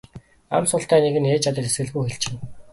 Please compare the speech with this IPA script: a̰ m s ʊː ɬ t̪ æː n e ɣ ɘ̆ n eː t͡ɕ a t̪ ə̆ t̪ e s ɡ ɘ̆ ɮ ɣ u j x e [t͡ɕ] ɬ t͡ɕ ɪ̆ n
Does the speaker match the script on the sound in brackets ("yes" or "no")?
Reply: no